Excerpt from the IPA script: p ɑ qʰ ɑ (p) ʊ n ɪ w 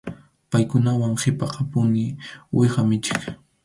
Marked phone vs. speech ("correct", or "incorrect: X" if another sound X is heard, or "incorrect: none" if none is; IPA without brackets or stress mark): correct